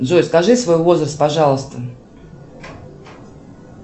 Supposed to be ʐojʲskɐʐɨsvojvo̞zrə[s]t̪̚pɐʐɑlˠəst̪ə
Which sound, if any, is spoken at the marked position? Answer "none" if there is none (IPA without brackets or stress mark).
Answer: s